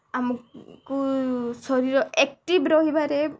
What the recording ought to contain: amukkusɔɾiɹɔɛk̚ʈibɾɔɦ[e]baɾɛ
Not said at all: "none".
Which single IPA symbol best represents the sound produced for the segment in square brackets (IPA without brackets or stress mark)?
i